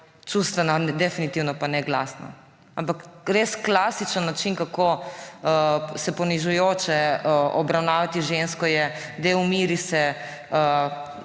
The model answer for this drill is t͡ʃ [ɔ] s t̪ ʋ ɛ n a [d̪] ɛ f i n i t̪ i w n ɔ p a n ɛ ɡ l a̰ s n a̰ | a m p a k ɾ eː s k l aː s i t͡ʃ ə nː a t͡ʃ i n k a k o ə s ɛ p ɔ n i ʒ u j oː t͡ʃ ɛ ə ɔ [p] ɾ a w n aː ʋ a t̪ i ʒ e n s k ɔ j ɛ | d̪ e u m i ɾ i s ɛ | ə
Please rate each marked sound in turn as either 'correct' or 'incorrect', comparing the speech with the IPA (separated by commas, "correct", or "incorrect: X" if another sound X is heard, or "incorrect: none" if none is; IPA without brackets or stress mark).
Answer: incorrect: u, correct, incorrect: b